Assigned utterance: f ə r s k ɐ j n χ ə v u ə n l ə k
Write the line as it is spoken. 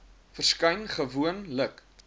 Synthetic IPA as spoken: f ə r s k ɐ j n χ ə v u ə n l ə k